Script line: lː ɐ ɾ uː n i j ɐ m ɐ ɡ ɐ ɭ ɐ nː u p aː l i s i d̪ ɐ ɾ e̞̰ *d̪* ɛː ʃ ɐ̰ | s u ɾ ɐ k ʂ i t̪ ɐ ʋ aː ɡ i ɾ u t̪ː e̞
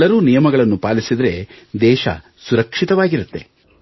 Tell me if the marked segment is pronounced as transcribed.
yes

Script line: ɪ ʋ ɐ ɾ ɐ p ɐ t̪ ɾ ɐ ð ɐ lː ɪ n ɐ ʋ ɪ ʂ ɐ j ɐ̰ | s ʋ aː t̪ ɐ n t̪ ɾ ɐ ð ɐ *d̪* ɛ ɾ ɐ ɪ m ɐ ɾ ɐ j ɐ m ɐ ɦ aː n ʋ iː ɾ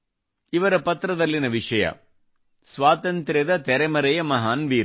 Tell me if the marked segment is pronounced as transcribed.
no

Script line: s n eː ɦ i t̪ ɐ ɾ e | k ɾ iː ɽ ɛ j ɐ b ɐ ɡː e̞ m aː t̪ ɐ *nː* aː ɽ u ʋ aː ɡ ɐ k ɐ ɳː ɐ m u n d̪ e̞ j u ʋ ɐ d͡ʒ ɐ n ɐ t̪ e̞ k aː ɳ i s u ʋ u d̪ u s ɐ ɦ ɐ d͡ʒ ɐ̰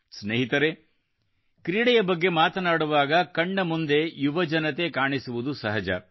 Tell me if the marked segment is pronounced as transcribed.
no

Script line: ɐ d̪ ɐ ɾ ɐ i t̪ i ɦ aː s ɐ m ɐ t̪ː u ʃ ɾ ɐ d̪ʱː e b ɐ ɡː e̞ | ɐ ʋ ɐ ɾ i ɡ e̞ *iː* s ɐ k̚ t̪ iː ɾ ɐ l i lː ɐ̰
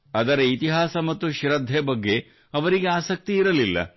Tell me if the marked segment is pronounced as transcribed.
no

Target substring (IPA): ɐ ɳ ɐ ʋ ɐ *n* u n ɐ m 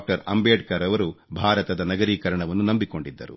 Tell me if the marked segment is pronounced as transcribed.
no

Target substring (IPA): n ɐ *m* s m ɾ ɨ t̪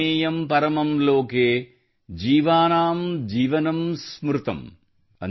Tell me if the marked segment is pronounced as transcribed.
yes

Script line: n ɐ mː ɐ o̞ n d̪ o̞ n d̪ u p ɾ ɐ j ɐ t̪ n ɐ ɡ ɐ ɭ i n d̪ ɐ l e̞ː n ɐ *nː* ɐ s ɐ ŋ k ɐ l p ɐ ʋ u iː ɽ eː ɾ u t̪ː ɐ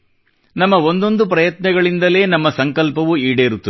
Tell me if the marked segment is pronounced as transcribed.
no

